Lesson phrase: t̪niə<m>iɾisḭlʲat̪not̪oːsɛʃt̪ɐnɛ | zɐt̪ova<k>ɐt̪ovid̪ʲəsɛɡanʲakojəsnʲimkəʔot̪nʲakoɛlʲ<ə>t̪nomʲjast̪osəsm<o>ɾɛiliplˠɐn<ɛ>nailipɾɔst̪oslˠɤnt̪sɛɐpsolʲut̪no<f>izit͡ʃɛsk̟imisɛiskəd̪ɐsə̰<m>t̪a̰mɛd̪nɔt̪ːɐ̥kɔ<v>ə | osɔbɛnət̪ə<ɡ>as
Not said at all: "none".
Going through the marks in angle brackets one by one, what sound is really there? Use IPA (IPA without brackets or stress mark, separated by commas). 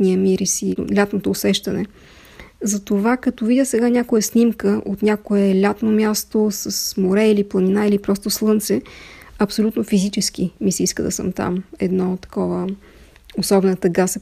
m, k, a, o, i, f, m, v, ɡ